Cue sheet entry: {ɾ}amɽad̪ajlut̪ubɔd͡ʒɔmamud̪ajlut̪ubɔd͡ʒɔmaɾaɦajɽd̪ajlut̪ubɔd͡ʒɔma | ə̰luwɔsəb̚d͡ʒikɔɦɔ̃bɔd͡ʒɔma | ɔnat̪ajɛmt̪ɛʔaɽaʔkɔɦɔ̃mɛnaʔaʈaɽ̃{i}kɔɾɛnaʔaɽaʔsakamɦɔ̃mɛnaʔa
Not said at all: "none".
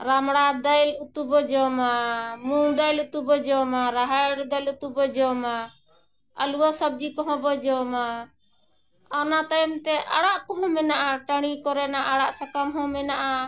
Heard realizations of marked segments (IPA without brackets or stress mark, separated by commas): ɾ, i